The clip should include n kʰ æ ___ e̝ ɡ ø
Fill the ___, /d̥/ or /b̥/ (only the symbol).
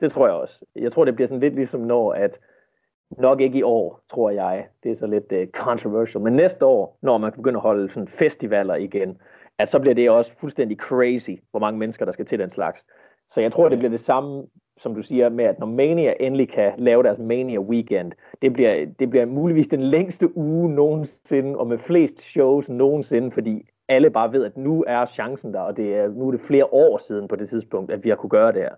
b̥